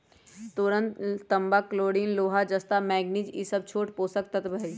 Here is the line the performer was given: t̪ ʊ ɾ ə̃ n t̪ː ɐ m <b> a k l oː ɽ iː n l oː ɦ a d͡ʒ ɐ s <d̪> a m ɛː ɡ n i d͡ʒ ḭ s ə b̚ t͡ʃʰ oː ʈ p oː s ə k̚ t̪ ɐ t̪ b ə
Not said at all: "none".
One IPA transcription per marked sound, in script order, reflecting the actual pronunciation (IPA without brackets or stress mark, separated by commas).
b, t̪